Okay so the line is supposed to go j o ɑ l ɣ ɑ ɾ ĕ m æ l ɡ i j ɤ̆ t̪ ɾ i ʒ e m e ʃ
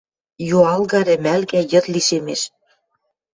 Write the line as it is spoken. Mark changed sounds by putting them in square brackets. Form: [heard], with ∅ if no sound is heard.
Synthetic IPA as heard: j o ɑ l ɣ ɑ ɾ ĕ m æ l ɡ [æ] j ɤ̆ t̪ [l] i [ʃ] e m e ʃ